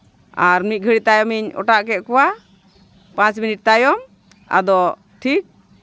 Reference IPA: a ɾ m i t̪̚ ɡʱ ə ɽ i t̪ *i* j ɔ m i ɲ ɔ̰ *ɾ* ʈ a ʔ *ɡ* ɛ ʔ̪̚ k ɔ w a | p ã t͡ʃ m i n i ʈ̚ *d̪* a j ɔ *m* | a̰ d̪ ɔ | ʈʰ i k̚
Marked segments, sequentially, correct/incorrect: incorrect, incorrect, incorrect, incorrect, correct

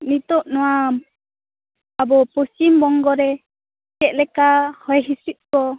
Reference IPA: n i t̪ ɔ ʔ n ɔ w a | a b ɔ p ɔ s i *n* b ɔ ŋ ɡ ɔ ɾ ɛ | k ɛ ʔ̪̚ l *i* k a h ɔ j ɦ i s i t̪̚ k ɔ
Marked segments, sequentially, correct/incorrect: incorrect, incorrect

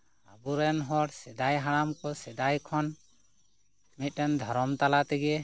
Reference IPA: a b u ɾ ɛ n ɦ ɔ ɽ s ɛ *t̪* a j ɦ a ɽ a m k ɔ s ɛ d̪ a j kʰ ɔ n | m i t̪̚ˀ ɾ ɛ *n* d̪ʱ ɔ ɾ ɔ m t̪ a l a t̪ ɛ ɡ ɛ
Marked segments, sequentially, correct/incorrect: incorrect, correct

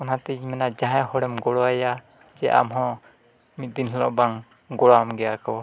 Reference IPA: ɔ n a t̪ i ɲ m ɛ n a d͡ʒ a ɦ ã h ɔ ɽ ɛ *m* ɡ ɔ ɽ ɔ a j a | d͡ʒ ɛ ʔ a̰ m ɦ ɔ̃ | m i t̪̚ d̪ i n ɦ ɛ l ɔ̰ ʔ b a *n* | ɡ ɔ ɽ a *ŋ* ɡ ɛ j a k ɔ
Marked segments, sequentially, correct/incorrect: correct, incorrect, incorrect

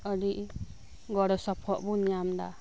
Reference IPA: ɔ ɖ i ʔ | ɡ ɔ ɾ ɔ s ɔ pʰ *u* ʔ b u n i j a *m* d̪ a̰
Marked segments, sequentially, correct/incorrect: incorrect, correct

